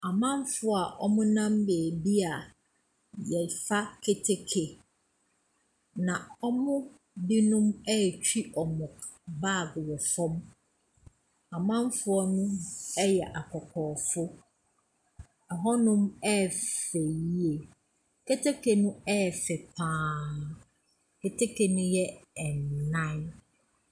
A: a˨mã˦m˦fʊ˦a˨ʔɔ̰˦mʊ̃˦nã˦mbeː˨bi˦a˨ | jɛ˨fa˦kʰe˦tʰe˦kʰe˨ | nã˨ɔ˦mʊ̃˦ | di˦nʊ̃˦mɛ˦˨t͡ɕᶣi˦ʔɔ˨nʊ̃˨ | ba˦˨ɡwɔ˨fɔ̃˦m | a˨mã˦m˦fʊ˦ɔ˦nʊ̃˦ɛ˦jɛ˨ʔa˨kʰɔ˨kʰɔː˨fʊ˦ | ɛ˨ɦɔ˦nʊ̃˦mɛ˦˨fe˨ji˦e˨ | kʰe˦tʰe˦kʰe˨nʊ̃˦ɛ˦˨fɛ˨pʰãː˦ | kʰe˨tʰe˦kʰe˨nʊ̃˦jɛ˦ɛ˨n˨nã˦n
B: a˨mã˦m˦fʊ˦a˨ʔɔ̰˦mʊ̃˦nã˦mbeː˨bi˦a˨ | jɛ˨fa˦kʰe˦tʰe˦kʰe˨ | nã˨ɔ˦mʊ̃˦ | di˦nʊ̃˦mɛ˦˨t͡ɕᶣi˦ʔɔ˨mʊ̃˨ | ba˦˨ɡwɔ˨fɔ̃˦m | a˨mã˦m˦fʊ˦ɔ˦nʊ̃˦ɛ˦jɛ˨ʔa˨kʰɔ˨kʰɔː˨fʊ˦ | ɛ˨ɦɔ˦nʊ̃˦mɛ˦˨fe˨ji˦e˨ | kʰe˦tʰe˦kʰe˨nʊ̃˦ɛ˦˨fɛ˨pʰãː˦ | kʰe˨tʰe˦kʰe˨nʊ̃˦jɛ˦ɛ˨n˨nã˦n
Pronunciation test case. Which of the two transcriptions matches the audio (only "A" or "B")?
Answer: B